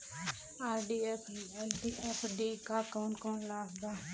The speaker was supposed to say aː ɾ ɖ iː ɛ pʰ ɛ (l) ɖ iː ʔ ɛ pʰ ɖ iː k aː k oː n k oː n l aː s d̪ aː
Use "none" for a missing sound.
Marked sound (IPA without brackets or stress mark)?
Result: l